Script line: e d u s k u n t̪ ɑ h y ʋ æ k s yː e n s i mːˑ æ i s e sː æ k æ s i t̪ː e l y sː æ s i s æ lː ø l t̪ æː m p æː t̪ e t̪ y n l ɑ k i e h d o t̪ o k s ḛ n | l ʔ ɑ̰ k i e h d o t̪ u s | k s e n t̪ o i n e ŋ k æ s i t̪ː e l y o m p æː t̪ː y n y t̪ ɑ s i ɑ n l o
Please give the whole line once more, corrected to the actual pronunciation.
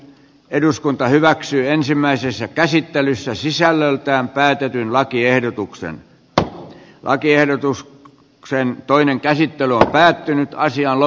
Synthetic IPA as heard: e d u s k u n t̪ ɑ h y ʋ æ k s yː e n s i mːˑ æ i s e sː æ k æ s i t̪ː e l y sː æ s i s æ lː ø l t̪ æː m p æː t̪ e t̪ y n l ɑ k i e h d o t̪ u k s ḛ n | l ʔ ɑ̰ k i e h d o t̪ u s | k s e n t̪ o i n e ŋ k æ s i t̪ː e l y o m p æː t̪ː y n y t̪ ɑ s i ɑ n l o